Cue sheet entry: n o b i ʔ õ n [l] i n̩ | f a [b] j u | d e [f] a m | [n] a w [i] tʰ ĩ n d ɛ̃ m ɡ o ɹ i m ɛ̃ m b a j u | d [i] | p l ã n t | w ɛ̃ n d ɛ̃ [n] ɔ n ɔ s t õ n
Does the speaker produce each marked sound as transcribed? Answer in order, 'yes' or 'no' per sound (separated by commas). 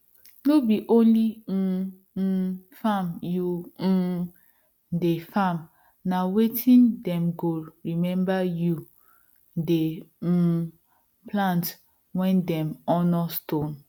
yes, no, yes, yes, no, no, no